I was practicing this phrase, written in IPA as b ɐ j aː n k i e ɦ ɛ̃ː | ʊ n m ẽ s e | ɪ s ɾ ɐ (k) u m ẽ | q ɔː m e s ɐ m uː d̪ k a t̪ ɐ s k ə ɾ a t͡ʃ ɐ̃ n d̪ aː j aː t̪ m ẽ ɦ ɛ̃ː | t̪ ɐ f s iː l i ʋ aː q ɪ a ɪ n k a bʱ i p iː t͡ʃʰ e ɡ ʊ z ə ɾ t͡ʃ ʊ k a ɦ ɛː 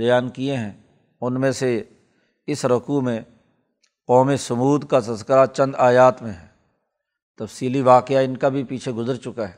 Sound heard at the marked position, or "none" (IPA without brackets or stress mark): k